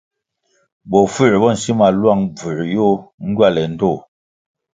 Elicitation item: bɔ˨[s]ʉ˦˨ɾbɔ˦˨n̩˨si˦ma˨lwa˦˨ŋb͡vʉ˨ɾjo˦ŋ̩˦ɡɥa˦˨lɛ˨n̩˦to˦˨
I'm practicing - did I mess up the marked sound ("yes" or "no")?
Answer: yes